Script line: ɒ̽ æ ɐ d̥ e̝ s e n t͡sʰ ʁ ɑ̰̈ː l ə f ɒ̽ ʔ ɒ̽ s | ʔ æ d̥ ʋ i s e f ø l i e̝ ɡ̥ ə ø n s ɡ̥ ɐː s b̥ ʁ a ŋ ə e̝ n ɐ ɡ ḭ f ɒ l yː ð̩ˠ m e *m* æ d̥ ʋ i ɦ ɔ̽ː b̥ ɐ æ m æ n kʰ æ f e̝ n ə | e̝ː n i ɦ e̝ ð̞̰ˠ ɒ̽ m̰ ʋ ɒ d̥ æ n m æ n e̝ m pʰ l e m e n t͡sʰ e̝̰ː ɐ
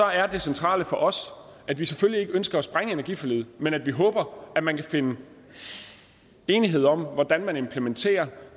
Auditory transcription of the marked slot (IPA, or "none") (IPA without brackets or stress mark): n